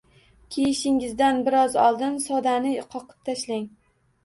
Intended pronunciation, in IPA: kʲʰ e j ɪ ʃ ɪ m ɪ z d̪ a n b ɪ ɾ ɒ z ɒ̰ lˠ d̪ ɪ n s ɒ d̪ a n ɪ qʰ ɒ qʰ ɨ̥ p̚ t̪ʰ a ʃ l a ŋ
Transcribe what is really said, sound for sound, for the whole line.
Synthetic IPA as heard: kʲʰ e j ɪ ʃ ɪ ŋ ɪ z d̪ a n b ɪ ɾ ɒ z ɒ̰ lˠ d̪ ɪ n s ɒ d̪ a n ɪ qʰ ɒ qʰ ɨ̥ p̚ t̪ʰ a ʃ l a ŋ